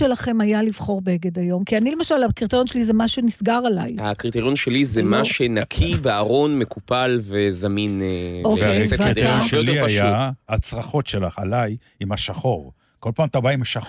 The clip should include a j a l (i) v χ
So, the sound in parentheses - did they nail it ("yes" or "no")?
yes